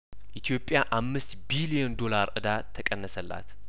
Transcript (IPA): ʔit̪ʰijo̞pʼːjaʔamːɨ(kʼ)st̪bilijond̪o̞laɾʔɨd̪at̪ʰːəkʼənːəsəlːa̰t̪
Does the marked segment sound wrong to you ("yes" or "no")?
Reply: yes